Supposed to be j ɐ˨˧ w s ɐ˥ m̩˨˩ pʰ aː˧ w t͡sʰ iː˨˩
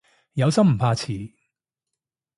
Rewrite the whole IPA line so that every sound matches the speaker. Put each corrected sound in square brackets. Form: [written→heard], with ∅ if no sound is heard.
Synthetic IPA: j ɐ˨˧ w s ɐ˥ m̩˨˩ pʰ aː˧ [w→∅] t͡sʰ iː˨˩